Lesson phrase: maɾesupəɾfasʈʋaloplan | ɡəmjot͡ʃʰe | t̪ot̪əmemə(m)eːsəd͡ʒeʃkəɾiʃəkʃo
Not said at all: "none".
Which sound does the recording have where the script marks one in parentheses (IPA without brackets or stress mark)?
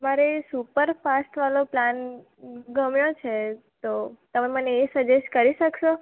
n